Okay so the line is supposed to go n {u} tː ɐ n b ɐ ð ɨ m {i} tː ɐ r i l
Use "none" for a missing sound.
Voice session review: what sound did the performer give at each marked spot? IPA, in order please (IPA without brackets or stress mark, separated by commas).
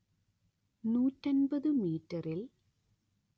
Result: uː, iː